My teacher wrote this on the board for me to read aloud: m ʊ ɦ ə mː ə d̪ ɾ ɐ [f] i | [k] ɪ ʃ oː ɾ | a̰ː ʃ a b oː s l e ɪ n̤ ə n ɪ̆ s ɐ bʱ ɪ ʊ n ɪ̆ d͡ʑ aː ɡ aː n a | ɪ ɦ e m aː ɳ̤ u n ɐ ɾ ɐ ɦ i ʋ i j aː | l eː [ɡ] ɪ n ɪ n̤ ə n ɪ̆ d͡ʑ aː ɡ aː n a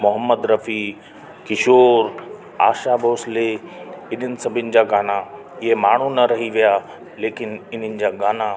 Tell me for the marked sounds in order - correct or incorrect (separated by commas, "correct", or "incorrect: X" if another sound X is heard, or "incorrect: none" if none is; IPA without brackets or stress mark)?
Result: correct, correct, incorrect: k